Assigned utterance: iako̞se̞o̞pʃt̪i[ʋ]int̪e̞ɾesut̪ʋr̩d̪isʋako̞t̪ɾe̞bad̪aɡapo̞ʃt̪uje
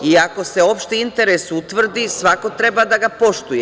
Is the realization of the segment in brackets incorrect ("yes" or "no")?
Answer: yes